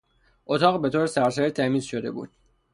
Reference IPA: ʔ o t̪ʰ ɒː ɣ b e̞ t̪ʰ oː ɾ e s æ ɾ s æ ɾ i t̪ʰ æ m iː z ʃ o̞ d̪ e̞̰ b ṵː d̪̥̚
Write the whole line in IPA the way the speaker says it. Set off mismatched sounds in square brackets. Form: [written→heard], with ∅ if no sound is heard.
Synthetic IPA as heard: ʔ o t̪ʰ ɒː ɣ b e̞ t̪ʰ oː ɾ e s æ ɾ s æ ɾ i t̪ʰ æ m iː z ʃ o̞ d̪ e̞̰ b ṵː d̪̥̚